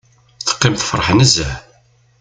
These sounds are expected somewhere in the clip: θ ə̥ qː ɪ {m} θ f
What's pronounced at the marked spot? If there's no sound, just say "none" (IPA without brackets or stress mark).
m